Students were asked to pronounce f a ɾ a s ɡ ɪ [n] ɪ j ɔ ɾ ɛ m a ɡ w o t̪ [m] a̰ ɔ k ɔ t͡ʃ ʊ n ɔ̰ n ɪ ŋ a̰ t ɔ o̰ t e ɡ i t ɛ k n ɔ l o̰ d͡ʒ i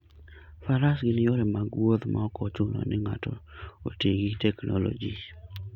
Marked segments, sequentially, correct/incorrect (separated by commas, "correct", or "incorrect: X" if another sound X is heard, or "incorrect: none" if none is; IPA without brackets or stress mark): correct, correct